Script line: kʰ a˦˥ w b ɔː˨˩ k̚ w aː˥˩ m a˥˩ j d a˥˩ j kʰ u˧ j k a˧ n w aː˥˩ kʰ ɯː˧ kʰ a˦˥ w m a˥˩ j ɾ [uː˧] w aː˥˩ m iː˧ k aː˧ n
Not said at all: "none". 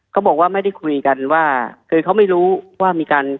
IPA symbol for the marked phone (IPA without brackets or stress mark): uː˦˥